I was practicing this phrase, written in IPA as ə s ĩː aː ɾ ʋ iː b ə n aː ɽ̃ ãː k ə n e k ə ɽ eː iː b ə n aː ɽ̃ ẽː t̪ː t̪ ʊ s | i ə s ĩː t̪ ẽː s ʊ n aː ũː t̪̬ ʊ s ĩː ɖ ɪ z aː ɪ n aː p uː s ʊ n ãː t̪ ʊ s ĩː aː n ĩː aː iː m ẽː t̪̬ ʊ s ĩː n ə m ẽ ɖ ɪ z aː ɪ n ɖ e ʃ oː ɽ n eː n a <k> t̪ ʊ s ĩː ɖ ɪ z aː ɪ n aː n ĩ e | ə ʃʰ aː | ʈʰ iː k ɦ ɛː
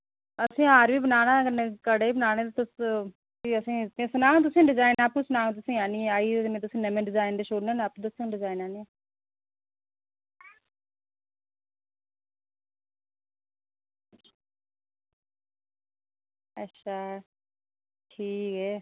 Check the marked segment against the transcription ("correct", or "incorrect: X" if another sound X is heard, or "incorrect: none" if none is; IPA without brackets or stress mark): incorrect: p